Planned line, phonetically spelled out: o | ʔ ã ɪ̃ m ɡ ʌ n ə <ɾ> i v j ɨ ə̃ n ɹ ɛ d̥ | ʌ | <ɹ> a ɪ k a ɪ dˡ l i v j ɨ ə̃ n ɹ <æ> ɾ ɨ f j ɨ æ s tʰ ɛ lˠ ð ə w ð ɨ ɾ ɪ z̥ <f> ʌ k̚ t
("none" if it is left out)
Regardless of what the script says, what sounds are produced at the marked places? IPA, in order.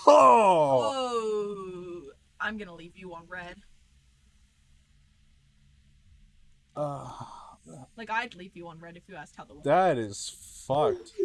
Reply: l, l, ɛ, f

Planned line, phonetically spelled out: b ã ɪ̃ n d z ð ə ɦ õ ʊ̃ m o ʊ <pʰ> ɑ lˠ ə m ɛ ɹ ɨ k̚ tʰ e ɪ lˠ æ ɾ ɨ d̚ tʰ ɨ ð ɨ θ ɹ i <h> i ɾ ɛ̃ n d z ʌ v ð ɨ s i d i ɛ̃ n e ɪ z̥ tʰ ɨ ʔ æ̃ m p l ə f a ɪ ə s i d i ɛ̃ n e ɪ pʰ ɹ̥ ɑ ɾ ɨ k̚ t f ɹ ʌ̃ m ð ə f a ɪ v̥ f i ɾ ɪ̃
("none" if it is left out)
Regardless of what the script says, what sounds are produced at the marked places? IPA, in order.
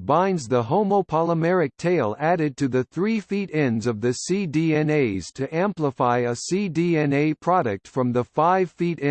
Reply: pʰ, f

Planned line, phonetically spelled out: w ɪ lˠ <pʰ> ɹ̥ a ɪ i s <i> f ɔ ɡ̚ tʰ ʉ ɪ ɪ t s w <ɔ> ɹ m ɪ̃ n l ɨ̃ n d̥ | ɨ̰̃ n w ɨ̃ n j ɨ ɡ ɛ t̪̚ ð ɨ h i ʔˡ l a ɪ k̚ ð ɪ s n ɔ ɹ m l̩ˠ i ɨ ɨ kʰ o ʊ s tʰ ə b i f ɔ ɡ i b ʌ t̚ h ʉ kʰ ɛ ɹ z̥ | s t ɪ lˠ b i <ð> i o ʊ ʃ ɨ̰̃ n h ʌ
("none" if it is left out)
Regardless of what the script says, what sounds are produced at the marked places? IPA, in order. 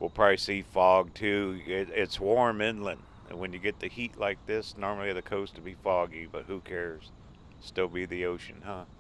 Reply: pʰ, i, ɔ, ð

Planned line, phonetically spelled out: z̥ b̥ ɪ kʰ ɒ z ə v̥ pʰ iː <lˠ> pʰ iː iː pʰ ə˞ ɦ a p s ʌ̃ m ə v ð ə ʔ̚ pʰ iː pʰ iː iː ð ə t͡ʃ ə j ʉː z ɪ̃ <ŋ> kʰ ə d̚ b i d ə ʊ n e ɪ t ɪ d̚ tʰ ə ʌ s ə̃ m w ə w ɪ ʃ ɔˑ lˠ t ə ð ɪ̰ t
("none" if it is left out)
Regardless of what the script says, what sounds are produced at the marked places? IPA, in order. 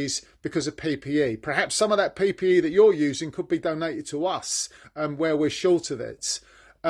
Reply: none, ŋ

